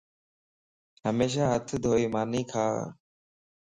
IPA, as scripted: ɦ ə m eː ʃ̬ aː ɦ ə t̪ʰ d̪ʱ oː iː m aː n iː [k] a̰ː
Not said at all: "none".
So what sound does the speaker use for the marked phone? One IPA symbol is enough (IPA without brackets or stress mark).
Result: kʰ